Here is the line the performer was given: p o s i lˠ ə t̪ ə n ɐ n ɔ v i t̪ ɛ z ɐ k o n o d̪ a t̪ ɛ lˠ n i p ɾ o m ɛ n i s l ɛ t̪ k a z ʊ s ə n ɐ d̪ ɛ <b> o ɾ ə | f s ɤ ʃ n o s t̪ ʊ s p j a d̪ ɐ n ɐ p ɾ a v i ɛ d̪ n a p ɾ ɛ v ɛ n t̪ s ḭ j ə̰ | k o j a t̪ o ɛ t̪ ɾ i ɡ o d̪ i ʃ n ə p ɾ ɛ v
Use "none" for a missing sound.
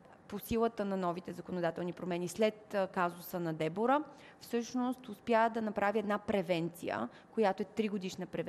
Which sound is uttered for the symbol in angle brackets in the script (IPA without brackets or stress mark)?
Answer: b